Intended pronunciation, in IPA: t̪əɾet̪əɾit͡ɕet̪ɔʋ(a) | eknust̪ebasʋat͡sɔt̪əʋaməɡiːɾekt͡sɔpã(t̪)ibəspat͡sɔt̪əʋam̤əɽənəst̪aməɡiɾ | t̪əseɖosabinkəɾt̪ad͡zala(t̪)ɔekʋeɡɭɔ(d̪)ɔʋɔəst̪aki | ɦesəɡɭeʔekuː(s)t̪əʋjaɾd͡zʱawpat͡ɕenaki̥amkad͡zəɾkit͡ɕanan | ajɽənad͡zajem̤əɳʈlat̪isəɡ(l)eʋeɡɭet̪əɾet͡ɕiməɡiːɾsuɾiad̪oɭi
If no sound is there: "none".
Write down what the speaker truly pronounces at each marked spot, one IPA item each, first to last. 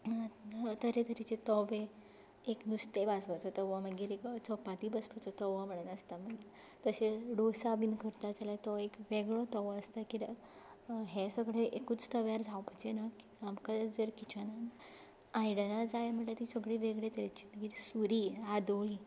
e, t̪, t̪, t̪, t͡s, ɭ

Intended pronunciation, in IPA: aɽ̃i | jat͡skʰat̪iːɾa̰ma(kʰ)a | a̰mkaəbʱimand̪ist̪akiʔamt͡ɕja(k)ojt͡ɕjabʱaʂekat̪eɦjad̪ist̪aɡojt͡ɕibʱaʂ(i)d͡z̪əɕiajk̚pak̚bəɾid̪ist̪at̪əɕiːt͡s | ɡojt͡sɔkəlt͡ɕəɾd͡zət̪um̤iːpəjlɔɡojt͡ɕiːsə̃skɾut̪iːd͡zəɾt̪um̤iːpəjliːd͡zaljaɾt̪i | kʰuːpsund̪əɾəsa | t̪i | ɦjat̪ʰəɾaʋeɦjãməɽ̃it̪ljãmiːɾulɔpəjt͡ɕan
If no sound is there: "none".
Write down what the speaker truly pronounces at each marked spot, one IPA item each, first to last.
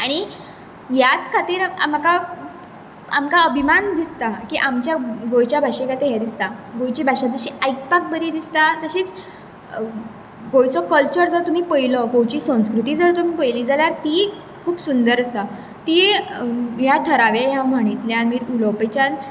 k, ɡ, a

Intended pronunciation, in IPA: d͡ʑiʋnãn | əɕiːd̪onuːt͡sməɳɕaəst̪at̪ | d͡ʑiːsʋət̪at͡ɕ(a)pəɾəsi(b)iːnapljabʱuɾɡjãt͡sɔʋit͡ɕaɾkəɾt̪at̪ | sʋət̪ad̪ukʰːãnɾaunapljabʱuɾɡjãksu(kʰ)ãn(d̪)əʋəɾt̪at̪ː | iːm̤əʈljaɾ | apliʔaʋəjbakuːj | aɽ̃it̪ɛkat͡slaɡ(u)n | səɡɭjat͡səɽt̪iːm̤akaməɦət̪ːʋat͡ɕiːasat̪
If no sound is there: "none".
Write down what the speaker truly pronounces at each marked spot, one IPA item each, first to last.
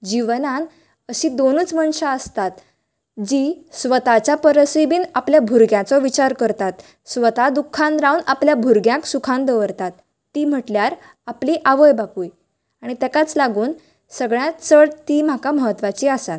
a, b, kʰ, d̪, uː

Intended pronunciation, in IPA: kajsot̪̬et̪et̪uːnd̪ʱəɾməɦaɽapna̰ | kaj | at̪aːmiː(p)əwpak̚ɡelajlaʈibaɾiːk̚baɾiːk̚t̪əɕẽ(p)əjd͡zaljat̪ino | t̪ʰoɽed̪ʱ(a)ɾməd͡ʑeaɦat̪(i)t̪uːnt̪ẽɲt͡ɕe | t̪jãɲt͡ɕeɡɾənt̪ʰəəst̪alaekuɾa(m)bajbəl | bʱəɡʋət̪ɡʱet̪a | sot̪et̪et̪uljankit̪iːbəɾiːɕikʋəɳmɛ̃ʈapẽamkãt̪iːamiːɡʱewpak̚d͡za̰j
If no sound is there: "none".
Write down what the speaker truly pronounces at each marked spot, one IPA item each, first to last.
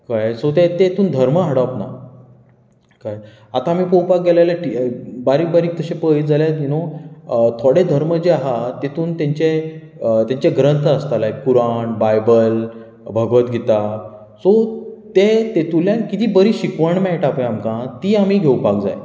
p, p, ə, e, ɳ

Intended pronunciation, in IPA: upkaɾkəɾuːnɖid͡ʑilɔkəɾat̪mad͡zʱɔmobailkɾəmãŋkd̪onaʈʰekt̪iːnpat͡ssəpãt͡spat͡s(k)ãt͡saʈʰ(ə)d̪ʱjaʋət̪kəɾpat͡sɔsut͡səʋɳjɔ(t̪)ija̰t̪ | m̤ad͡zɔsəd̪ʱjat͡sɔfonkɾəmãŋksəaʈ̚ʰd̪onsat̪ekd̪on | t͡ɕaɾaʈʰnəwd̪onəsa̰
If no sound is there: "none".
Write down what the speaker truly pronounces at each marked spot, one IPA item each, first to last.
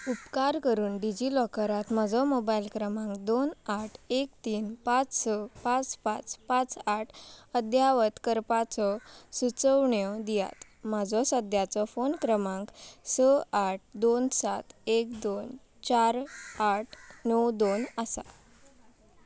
p, ə, d̪

